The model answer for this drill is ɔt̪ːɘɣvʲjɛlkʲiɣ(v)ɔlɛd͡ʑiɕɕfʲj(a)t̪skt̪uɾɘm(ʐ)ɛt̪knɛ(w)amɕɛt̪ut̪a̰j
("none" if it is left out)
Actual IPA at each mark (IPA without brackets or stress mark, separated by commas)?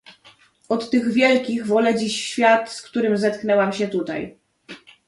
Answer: v, a, z, w